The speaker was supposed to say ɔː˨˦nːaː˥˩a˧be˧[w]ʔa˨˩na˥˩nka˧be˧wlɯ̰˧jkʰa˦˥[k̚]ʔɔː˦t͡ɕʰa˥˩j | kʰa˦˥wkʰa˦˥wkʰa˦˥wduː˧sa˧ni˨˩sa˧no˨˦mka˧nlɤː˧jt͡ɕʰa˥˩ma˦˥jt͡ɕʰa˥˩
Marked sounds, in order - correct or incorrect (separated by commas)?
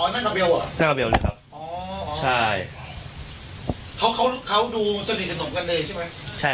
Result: correct, incorrect